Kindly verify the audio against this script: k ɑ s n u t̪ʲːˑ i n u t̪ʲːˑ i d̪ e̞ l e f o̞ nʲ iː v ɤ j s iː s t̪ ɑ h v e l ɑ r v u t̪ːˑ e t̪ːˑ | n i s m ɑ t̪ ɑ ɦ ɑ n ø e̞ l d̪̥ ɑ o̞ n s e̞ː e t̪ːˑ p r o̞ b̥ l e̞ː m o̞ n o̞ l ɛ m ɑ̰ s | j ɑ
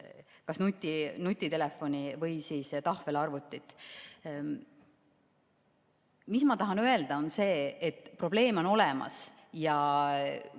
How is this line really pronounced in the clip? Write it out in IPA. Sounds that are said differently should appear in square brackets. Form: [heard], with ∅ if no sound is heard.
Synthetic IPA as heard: k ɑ s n u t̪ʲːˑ i n u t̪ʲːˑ i [t̪] e̞ l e f o̞ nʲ [i] v ɤ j s iː s t̪ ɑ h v e l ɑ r v u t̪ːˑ [i] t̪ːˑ | [m] i s m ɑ t̪ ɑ ɦ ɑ n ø e̞ l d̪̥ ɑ o̞ n s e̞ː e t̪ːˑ p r o̞ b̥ l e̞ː m o̞ n o̞ l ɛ m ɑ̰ s | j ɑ